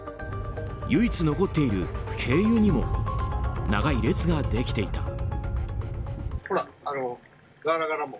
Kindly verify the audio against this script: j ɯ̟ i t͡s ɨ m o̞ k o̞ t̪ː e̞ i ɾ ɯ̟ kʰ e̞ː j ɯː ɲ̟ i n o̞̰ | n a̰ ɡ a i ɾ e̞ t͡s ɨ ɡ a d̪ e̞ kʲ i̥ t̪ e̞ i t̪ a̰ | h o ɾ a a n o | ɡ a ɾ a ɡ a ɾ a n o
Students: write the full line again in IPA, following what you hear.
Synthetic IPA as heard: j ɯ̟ i t͡s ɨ n o̞ k o̞ t̪ː e̞ i ɾ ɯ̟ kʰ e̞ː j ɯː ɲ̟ i m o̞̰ | n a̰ ɡ a i ɾ e̞ t͡s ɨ ɡ a d̪ e̞ kʲ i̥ t̪ e̞ i t̪ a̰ | h o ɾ a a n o | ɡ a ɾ a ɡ a ɾ a m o

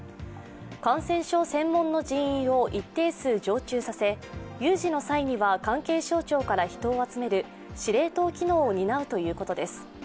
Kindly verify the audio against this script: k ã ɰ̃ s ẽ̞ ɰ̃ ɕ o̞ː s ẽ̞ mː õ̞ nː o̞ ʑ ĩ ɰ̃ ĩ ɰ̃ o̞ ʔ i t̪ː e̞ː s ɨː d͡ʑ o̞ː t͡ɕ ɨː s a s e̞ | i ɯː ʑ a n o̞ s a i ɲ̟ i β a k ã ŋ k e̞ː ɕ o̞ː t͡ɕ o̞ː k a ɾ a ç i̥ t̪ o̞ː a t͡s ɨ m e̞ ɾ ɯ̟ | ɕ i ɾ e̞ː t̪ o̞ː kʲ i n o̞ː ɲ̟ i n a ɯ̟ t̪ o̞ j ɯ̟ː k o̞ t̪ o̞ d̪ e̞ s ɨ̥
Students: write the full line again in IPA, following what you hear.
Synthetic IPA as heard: k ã ɰ̃ s ẽ̞ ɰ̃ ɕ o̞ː s ẽ̞ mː õ̞ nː o̞ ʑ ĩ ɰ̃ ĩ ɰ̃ o̞ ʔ i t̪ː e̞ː s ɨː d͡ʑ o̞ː t͡ɕ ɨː s a s e̞ | j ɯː ʑ i n o̞ s a i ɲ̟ i β a k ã ŋ k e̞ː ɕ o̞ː t͡ɕ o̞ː k a ɾ a ç i̥ t̪ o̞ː a t͡s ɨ m e̞ ɾ ɯ̟ | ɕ i ɾ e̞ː t̪ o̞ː kʲ i n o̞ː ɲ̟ i n a ɯ̟ t̪ o̞ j ɯ̟ː k o̞ t̪ o̞ d̪ e̞ s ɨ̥

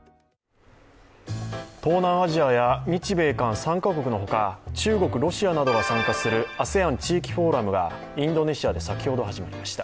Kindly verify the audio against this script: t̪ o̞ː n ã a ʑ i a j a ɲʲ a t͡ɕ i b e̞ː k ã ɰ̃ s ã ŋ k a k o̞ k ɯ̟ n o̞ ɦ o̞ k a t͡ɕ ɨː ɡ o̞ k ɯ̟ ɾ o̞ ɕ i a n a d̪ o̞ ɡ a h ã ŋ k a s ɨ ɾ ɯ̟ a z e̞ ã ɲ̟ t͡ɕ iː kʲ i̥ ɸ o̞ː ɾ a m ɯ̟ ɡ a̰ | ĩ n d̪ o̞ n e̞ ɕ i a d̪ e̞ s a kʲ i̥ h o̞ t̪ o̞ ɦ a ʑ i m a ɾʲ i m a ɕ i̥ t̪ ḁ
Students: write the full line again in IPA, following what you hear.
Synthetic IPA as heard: t̪ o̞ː n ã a ʑ i a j a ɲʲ i t͡ɕ i b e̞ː k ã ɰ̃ s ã ŋ k a k o̞ k ɯ̟ n o̞ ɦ o̞ k a t͡ɕ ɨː ɡ o̞ k ɯ̟ ɾ o̞ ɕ i a n a d̪ o̞ ɡ a s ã ŋ k a s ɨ ɾ ɯ̟ a s e̞ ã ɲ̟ t͡ɕ iː kʲ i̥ ɸ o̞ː ɾ a m ɯ̟ ɡ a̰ | ĩ n d̪ o̞ n e̞ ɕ i a d̪ e̞ s a kʲ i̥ h o̞ d̪ o̞ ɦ a ʑ i m a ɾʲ i m a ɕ i̥ t̪ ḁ

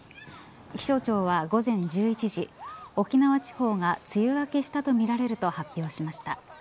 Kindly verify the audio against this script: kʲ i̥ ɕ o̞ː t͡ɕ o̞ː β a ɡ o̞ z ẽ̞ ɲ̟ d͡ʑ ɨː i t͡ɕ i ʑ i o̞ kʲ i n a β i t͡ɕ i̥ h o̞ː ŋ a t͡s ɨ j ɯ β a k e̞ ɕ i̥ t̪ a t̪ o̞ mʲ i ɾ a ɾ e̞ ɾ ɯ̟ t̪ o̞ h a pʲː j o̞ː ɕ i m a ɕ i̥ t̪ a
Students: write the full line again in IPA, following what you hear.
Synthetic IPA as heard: kʲ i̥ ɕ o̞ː t͡ɕ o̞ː β a ɡ o̞ z ẽ̞ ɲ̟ d͡ʑ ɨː i t͡ɕ i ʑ i o̞ kʲ i n a β a t͡ɕ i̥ h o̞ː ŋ a t͡s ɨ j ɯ β a k e̞ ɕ i̥ t̪ a t̪ o̞ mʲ i ɾ a ɾ e̞ ɾ ɯ̟ t̪ o̞ h a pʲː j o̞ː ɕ i m a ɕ i̥ t̪ a

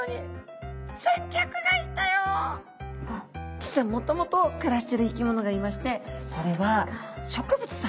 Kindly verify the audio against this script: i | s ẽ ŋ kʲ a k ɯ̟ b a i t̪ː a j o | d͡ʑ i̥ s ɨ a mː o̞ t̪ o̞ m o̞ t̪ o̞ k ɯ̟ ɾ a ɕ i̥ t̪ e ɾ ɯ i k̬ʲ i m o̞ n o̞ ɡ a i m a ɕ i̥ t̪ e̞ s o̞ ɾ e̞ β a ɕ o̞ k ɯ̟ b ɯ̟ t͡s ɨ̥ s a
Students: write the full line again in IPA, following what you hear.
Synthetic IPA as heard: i | s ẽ ŋ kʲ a k ɯ̟ ɡ a i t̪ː a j o | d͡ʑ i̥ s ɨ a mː o̞ t̪ o̞ m o̞ t̪ o̞ k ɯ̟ ɾ a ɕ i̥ t̪ e ɾ ɯ i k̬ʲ i m o̞ n o̞ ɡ a i m a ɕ i̥ t̪ e̞ s o̞ ɾ e̞ β a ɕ o̞ k ɯ̟ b ɯ̟ t͡s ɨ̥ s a

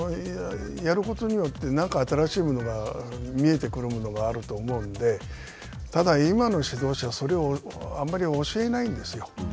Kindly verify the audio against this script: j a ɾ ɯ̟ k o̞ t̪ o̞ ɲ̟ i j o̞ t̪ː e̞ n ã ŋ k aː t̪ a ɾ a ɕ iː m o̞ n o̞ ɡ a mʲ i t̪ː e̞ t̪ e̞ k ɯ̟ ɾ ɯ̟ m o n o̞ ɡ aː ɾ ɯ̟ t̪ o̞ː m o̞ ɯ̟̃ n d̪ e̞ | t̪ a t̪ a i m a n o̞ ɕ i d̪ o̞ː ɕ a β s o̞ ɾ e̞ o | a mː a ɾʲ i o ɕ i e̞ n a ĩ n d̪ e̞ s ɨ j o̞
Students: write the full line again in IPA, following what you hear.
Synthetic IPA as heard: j a ɾ ɯ̟ k o̞ t̪ o̞ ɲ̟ i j o̞ t̪ː e̞ n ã ŋ k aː t̪ a ɾ a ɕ iː m o̞ n o̞ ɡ a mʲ i e̞ t̪ e̞ k ɯ̟ ɾ ɯ̟ m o n o̞ ɡ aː ɾ ɯ̟ t̪ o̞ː m o̞ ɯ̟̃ n d̪ e̞ | t̪ a d̪ a i m a n o̞ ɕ i d̪ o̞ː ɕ a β s o̞ ɾ e̞ o | a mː a ɾʲ i o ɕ i e̞ n a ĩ n d̪ e̞ s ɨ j o̞

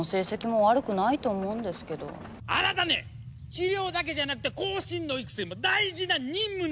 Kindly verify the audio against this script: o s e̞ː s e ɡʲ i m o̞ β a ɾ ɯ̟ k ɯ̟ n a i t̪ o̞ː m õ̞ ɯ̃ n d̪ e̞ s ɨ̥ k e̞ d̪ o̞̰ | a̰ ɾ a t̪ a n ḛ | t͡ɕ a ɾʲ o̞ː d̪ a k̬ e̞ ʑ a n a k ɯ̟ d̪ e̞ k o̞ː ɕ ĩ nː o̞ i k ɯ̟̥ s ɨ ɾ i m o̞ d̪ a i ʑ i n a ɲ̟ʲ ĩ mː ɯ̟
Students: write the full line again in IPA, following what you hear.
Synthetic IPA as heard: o s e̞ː s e kʲ i m o̞ β a ɾ ɯ̟ k ɯ̟ n a i t̪ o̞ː m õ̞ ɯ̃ n d̪ e̞ s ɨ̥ k e̞ d̪ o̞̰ | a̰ ɾ a t̪ a n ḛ | t͡ɕ i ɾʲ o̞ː d̪ a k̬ e̞ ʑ a n a k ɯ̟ t̪ e̞ k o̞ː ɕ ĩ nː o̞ i k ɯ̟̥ s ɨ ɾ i m o̞ d̪ a i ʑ i n a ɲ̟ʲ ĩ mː ɯ̟

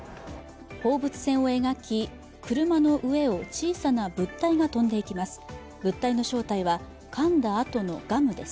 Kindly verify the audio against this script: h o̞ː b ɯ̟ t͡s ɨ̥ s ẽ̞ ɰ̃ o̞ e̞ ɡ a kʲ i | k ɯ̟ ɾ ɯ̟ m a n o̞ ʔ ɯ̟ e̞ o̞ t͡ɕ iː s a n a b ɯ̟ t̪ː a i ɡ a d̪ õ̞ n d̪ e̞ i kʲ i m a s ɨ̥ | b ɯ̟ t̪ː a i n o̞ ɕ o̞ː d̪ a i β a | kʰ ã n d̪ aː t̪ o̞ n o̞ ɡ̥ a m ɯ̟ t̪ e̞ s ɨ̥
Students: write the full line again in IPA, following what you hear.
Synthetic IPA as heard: h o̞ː b ɯ̟ t͡s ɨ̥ s ẽ̞ ɰ̃ o̞ e̞ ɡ a kʲ i | k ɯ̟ ɾ ɯ̟ m a n o̞ ʔ ɯ̟ e̞ o̞ t͡ɕ iː s a n a b ɯ̟ t̪ː a i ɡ a t̪ õ̞ n d̪ e̞ i kʲ i m a s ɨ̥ | b ɯ̟ t̪ː a i n o̞ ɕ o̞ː t̪ a i β a | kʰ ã n d̪ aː t̪ o̞ n o̞ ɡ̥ a m ɯ̟ d̪ e̞ s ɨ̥

